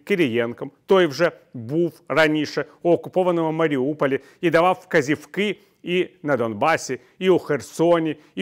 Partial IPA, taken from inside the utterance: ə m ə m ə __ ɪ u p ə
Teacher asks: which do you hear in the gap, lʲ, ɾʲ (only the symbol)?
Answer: ɾʲ